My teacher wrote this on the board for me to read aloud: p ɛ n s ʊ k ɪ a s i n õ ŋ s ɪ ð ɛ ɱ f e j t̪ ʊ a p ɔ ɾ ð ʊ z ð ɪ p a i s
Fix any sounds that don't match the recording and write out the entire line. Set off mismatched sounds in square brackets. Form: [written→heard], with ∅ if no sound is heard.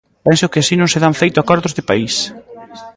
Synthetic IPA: p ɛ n s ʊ k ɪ a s i n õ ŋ s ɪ ð [ɛ→a] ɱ f e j t̪ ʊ a [p→k] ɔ ɾ ð ʊ z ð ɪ p a i s

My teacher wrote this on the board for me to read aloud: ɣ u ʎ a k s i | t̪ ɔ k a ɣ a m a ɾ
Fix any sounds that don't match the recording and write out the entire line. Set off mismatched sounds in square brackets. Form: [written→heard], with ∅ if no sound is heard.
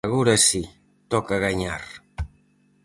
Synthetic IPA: ɣ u [ʎ→ɾ] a [k→∅] s i | t̪ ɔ k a ɣ a [m→ɲ] a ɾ

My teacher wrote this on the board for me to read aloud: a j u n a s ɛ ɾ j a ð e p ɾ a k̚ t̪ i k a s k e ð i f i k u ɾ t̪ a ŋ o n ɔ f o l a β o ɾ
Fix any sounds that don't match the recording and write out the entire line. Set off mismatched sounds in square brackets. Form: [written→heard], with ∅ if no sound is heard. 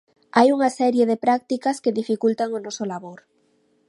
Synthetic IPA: a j u [n→ŋ] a s ɛ ɾ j [a→e] ð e p ɾ a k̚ t̪ i k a s k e ð i f i k u [ɾ→l] t̪ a ŋ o n ɔ [f→s] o l a β o ɾ

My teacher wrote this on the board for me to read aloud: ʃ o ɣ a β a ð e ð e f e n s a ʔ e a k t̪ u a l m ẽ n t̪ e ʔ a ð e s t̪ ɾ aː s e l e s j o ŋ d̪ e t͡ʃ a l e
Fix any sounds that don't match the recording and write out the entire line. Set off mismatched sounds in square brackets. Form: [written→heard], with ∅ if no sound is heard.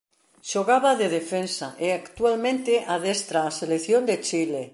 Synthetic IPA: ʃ o ɣ a β a ð e ð e f e n s a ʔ e a k t̪ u a l m ẽ n t̪ e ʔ a ð e s t̪ ɾ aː s e l e [s→θ] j o [ŋ→n] d̪ e t͡ʃ [a→i] l e

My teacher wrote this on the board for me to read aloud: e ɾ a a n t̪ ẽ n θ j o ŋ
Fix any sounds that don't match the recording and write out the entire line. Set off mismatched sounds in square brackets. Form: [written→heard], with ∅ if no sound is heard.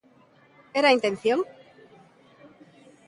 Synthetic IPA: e ɾ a [a→i] n t̪ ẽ n θ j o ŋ

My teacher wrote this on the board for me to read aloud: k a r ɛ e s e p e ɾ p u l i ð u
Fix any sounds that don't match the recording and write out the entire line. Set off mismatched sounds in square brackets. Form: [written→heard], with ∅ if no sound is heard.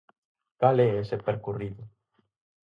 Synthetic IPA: k a [r→l] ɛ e s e p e ɾ [p→k] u [l→r] i ð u

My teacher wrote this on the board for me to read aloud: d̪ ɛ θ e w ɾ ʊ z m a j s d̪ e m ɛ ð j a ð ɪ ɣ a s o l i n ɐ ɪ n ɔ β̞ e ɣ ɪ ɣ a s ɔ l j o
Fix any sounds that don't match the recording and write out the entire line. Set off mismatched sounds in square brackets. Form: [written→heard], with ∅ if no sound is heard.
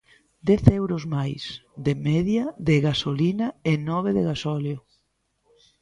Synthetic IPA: d̪ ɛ θ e w ɾ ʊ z m a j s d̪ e m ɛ ð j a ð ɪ ɣ a s o l i n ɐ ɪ n ɔ β̞ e [ɣ→ð] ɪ ɣ a s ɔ l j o

